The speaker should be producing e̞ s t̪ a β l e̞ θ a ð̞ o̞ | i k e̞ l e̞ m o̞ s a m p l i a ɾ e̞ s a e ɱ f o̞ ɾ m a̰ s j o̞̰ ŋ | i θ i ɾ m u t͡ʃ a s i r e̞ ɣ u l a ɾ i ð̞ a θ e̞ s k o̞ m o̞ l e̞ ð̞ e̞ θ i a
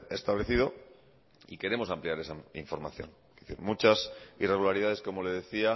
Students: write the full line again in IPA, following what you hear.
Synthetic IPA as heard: e̞ s t̪ a β l e̞ θ i ð̞ o̞ | i k e̞ ɾ e̞ m o̞ s a m p l i a ɾ e̞ s a i ɱ f o̞ ɾ m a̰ θ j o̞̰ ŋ | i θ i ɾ m u t͡ʃ a s i r e̞ ɣ u l a ɾ i ð̞ a ð e̞ s k o̞ m o̞ l e̞ ð̞ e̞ θ i a